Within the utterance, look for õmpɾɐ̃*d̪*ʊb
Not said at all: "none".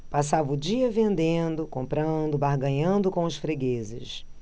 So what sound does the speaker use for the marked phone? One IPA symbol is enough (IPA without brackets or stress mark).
d̪